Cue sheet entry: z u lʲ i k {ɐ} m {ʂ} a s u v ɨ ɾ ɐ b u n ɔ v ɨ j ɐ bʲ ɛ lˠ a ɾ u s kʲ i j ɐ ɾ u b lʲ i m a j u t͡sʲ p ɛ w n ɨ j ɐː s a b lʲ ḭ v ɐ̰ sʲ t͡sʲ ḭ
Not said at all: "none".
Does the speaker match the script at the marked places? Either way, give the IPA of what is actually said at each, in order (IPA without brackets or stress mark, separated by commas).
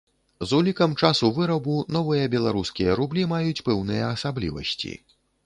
ɐ, t͡ʂ